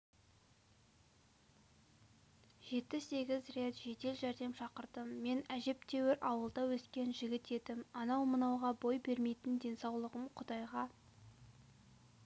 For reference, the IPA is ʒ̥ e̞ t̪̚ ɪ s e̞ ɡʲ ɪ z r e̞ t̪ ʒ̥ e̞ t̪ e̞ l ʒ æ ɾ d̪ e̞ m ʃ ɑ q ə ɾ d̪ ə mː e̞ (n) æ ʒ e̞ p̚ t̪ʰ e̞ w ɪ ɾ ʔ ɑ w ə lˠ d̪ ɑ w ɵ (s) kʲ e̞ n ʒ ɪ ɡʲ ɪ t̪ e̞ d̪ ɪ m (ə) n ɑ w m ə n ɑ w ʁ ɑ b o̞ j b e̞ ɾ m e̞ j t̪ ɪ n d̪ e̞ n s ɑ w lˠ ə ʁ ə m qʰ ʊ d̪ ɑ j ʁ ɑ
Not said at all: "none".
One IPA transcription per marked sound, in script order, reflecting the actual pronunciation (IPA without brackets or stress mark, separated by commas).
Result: n, s, ɑ